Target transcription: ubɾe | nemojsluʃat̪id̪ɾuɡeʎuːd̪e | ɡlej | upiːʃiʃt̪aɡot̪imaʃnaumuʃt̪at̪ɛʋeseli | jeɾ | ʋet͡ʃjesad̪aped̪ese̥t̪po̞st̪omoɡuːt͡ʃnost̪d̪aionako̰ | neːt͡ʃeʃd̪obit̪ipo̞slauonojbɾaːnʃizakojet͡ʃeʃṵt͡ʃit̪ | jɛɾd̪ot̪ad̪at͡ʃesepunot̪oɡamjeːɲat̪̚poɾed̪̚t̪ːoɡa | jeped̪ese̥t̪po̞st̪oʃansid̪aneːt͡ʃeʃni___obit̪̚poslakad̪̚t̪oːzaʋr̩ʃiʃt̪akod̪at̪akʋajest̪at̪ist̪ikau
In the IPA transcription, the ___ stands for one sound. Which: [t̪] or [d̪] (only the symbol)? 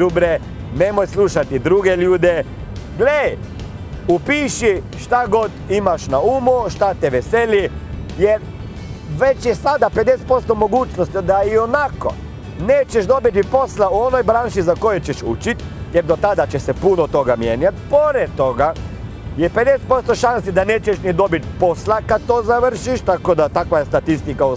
d̪